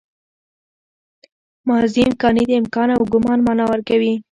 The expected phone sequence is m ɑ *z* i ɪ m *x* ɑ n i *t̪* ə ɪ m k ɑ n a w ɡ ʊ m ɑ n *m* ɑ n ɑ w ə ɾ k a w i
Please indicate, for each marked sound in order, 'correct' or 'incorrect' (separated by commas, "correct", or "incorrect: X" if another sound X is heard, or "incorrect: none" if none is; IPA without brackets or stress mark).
correct, incorrect: k, incorrect: d̪, correct